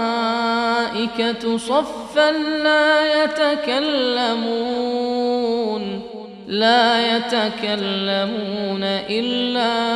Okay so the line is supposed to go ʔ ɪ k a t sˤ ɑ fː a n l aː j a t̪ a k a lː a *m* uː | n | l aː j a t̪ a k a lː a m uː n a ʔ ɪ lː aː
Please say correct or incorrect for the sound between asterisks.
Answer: correct